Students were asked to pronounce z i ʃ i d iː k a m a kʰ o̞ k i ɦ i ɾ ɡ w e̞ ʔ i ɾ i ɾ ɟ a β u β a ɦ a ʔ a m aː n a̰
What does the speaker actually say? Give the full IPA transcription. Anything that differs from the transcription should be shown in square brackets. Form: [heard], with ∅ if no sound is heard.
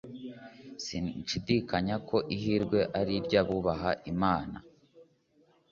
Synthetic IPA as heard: [s] i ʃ i d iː k a [ɲ] a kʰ o̞ [ʔ] i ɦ i ɾ ɡ w e̞ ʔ [a] ɾ i ɾ ɟ a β u β a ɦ a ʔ [i] m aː n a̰